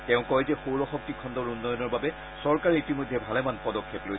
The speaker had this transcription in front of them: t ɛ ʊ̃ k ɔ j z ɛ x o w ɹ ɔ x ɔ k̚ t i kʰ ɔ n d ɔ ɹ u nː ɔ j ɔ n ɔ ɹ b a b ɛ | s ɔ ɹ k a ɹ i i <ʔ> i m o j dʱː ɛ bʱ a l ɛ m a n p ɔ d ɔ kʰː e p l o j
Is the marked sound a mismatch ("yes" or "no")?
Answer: yes